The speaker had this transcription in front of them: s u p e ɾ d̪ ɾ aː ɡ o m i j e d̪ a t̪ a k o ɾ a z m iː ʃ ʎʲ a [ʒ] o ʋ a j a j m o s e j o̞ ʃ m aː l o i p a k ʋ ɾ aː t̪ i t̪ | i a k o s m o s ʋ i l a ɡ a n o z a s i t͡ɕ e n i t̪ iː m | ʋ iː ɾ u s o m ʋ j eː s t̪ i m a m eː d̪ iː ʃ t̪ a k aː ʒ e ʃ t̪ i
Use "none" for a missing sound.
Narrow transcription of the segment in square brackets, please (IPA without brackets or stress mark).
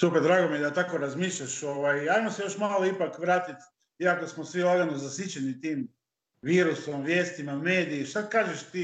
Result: ʃ